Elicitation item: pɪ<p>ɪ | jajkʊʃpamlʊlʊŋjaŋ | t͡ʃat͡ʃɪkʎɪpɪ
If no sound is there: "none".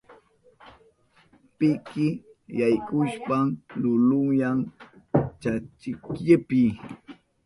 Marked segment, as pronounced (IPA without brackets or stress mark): k